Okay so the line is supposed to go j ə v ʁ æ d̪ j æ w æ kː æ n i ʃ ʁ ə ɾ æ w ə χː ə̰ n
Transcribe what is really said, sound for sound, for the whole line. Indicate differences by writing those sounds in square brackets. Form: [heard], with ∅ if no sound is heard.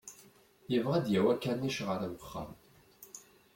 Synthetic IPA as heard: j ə v ʁ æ d̪ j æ w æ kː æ n i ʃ ʁ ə ɾ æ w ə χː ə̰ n